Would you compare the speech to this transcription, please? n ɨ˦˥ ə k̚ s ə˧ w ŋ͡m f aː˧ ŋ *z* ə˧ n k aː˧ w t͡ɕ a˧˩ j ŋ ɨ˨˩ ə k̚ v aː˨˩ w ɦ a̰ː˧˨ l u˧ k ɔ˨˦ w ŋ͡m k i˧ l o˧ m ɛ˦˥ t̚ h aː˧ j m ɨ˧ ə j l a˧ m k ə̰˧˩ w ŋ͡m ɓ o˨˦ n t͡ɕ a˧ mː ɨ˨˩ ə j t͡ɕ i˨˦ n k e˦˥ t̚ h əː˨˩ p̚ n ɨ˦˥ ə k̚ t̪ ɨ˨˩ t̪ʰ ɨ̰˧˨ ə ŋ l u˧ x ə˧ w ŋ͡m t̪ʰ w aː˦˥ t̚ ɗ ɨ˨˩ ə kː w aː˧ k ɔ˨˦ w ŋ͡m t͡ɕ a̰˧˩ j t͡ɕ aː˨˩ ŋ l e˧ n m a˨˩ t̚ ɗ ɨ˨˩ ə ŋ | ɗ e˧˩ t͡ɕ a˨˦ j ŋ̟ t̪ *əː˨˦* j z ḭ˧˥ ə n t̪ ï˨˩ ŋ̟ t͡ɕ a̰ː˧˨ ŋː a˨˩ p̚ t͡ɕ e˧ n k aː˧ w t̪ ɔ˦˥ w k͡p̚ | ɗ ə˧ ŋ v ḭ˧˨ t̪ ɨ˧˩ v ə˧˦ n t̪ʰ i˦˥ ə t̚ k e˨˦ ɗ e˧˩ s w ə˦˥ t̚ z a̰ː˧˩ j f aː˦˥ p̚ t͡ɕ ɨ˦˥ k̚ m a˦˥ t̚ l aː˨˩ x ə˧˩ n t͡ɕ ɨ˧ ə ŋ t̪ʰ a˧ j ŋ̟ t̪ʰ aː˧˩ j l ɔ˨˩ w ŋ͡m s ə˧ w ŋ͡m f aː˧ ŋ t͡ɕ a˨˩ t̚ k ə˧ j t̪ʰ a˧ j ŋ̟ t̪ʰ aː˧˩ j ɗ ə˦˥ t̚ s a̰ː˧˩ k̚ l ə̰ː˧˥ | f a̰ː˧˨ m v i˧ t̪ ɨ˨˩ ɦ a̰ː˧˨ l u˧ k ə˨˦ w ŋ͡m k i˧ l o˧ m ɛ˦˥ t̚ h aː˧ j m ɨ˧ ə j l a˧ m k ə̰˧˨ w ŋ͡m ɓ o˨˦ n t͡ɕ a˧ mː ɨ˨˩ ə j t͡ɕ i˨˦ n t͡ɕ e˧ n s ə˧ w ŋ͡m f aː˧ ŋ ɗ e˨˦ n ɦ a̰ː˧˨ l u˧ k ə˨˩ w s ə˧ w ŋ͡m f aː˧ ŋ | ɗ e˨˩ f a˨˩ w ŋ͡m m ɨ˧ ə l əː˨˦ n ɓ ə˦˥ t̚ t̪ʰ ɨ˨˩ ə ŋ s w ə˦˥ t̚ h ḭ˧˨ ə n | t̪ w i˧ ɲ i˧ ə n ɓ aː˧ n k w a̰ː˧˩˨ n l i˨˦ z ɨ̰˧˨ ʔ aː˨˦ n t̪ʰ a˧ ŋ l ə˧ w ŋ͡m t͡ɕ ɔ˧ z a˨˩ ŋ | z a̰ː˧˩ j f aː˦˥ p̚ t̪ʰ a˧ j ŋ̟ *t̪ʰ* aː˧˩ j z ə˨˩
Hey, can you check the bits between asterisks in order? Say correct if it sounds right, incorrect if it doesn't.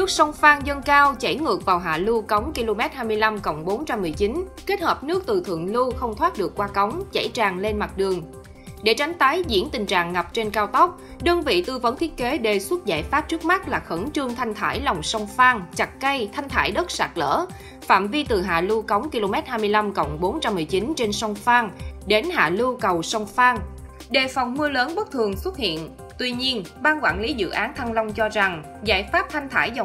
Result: correct, incorrect: aː˨˦, correct

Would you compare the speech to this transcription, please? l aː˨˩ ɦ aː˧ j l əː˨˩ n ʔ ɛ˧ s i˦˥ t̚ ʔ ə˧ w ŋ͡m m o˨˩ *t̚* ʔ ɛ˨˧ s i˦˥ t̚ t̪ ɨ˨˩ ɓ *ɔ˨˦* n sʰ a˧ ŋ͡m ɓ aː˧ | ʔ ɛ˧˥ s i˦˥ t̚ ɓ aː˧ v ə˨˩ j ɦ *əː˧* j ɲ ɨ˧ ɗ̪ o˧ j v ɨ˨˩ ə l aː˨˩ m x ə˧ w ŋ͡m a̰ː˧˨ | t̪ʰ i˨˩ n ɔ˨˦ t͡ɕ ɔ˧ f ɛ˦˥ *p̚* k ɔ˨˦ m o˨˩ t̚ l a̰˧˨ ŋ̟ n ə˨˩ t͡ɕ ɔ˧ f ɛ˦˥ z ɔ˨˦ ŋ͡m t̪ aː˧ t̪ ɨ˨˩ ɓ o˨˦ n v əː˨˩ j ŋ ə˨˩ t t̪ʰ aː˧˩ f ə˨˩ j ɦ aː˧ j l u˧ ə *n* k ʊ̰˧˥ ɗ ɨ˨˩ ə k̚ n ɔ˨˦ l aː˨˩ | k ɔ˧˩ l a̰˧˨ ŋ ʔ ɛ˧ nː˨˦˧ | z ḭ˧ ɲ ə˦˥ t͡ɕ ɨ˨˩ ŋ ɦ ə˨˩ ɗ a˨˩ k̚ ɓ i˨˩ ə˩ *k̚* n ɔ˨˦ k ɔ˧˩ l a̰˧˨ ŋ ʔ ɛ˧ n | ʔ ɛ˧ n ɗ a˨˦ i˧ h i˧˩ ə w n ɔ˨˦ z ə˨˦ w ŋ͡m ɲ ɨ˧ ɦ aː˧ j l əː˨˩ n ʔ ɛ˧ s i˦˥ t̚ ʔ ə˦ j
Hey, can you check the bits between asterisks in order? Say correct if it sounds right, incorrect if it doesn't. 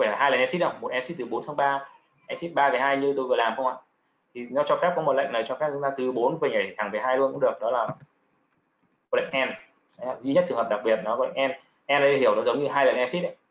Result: correct, incorrect: o˨˦, incorrect: aː˧, correct, correct, incorrect: t̚

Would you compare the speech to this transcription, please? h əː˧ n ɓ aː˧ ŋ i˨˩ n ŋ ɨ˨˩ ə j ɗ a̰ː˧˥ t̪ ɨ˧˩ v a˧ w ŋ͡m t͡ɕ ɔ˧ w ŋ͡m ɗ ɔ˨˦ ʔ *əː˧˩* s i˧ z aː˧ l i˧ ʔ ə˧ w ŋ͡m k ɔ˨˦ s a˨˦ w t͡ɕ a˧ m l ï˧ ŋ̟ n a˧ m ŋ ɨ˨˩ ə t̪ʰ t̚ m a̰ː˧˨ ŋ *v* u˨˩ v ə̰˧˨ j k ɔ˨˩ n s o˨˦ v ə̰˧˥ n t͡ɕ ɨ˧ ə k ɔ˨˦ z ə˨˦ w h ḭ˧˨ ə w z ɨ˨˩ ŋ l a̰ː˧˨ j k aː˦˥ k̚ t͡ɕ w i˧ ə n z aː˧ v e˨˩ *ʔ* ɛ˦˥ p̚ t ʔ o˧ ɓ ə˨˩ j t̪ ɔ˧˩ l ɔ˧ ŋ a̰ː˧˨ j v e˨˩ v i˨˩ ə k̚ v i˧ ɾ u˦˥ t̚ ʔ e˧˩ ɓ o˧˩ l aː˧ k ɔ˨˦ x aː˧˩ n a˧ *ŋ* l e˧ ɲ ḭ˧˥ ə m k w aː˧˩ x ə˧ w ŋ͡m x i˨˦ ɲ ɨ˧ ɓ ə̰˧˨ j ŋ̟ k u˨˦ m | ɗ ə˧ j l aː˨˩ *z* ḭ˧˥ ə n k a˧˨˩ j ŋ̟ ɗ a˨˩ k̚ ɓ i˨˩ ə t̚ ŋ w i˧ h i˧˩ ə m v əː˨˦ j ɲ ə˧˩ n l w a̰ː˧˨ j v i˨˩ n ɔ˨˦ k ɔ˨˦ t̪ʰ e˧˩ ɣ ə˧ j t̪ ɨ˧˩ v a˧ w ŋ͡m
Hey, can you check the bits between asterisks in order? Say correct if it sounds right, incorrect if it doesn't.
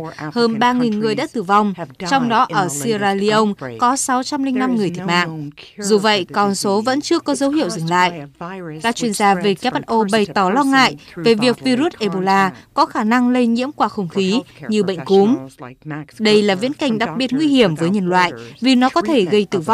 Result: correct, incorrect: z, incorrect: k, correct, incorrect: v

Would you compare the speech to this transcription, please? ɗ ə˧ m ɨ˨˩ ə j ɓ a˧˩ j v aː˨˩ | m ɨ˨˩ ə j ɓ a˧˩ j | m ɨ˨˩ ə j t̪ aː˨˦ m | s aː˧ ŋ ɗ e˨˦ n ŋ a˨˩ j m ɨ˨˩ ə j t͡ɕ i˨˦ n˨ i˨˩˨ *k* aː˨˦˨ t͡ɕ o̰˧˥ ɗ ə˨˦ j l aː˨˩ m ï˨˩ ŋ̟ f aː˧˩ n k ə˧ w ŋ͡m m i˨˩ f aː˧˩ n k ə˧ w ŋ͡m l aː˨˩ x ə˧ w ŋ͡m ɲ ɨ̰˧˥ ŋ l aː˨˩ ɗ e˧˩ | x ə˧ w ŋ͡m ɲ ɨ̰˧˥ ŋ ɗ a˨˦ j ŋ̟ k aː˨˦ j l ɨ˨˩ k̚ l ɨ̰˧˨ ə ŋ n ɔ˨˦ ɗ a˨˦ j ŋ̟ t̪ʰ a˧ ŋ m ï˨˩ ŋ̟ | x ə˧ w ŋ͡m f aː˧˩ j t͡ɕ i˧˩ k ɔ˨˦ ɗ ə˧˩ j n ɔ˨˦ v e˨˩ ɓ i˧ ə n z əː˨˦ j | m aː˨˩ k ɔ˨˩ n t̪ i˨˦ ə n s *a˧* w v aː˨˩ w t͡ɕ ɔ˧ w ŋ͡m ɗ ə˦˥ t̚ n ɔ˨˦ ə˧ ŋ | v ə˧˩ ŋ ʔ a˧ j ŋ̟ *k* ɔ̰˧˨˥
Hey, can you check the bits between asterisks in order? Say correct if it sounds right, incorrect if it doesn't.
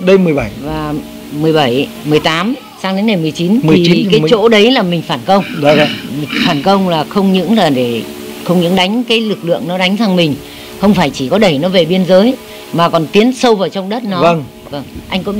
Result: correct, incorrect: ə˧, correct

